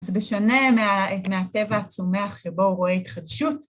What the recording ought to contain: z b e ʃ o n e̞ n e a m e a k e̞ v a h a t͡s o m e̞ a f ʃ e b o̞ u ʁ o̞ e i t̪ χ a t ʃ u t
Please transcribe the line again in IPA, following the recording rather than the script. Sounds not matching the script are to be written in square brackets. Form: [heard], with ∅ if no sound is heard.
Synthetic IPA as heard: z b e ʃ o n e̞ [m] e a m e a [t] e̞ v a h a t͡s o m e̞ a [χ] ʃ e b o̞ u ʁ o̞ e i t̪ χ a [d] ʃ u t